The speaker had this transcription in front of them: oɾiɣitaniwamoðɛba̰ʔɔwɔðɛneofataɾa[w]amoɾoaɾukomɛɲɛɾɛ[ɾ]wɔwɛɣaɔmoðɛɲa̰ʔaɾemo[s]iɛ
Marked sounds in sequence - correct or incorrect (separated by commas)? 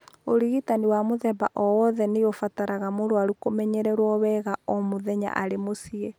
incorrect, correct, correct